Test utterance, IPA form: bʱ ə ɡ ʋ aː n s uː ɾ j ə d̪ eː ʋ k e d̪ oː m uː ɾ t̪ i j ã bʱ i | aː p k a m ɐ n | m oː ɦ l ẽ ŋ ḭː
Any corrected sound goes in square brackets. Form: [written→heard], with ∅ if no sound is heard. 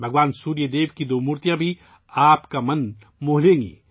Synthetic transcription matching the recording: bʱ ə ɡ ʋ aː n s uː ɾ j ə d̪ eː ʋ k [e→i] d̪ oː m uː ɾ t̪ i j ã bʱ i | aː p k a m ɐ n | m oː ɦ l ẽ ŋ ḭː

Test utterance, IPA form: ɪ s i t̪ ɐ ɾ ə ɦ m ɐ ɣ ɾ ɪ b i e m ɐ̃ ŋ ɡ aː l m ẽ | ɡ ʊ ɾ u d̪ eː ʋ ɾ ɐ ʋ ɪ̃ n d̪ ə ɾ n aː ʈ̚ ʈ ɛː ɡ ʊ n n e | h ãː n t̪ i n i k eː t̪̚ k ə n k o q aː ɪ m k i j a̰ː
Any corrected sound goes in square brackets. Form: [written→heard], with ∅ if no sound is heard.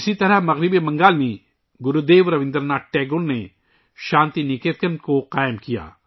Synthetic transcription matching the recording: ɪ s i t̪ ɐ ɾ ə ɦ m ɐ ɣ ɾ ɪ b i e m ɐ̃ ŋ ɡ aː l m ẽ | ɡ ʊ ɾ u d̪ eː ʋ ɾ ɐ ʋ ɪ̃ n d̪ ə ɾ n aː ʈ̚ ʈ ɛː ɡ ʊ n n e | [h→ʃ] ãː n t̪ i n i k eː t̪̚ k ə n k o q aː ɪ m k i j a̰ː

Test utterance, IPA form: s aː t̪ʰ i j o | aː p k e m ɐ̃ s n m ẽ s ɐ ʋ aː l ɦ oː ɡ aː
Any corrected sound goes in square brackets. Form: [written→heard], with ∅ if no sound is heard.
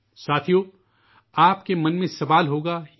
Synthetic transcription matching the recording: s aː t̪ʰ i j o | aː p k e m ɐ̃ [s→∅] n m ẽ s ɐ ʋ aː l ɦ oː ɡ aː

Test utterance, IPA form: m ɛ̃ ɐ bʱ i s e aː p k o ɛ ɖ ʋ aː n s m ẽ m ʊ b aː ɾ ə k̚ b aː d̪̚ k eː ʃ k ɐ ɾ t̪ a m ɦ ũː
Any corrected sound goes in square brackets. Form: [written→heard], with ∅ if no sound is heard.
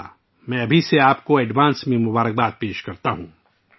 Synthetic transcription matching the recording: m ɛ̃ ɐ bʱ i s e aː p k o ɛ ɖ ʋ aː n s m ẽ m ʊ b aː ɾ ə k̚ b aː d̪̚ [k→p] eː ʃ k ɐ ɾ t̪ a [m→∅] ɦ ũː

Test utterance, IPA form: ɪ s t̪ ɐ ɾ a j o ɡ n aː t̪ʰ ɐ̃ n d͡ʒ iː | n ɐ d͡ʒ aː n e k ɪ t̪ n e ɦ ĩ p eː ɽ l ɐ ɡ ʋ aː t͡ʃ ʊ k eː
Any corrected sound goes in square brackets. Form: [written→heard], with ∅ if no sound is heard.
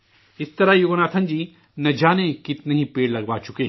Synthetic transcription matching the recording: ɪ s t̪ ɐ ɾ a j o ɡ n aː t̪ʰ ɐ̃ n d͡ʒ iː | n ɐ d͡ʒ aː n e k ɪ t̪ n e ɦ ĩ p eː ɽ l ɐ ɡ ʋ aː t͡ʃ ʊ k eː

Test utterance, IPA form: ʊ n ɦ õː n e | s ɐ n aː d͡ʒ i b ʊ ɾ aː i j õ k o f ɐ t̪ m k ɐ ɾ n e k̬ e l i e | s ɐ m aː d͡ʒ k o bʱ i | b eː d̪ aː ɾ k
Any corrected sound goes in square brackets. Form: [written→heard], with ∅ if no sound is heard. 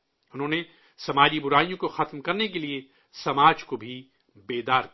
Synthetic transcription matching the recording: ʊ n ɦ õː n e | s ɐ [n→m] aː d͡ʒ i b ʊ ɾ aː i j õ k o [f→x] ɐ t̪ m k ɐ ɾ n e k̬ e l i e | s ɐ m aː d͡ʒ k o bʱ i | b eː d̪ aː ɾ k

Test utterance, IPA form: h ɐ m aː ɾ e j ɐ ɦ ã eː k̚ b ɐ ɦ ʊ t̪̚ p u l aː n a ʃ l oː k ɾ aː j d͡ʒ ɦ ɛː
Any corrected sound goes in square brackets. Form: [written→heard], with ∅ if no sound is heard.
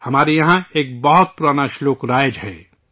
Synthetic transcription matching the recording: h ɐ m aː ɾ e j ɐ ɦ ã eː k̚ b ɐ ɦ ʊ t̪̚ p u [l→ɾ] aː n a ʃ l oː k ɾ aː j d͡ʒ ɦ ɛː

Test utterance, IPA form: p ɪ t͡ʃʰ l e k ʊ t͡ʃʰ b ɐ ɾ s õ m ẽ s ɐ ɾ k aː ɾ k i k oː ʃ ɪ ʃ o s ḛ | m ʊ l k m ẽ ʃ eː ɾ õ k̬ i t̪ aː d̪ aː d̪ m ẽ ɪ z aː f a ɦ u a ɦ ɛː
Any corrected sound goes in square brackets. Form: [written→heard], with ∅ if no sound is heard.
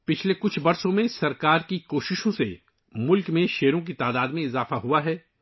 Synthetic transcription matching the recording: p ɪ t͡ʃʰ l e k ʊ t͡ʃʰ b ɐ ɾ s õ m ẽ s ɐ ɾ k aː ɾ k i k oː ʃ ɪ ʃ [o→õ] s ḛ | m ʊ l k m ẽ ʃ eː ɾ õ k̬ i t̪ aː d̪ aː d̪ m ẽ ɪ z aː f a ɦ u a ɦ ɛː

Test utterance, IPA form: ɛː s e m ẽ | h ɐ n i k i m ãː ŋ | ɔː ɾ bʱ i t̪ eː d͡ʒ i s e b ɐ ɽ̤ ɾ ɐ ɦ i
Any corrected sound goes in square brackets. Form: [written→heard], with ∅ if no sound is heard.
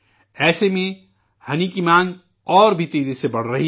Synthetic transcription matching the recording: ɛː s e m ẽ | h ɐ n i k i m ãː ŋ | ɔː ɾ bʱ i t̪ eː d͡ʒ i s e b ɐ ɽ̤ ɾ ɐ ɦ i

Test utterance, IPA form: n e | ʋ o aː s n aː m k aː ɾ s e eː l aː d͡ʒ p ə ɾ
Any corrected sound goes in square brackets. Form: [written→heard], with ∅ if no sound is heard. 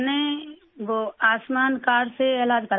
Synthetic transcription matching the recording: n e | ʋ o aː s [n→m] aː [m→n] k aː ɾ s e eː l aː d͡ʒ [p→k] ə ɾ

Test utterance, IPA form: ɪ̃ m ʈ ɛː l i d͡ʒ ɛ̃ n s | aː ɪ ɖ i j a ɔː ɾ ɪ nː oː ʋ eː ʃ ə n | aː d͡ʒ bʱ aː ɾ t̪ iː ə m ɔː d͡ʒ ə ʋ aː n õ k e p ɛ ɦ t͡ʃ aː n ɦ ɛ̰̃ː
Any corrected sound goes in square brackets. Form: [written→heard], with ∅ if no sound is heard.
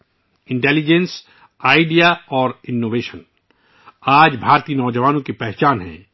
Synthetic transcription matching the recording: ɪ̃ [m→ɳ] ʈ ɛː l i d͡ʒ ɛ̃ n s | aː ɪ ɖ i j a ɔː ɾ ɪ nː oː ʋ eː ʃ ə n | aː d͡ʒ bʱ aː ɾ t̪ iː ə [m→n] ɔː d͡ʒ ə ʋ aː n õ k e p ɛ ɦ t͡ʃ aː n ɦ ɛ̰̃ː

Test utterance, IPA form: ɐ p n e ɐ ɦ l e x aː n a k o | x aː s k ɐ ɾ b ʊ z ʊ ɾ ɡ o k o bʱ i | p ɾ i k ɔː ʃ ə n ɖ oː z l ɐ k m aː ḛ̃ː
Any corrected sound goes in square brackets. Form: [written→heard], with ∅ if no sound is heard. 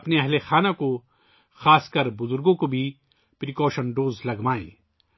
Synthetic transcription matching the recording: ɐ p n e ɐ ɦ l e x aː n a k o | x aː s k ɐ ɾ b ʊ z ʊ ɾ ɡ [o→õ] k o bʱ i | p ɾ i k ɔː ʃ ə n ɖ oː z l ɐ [k→ɡ] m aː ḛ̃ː

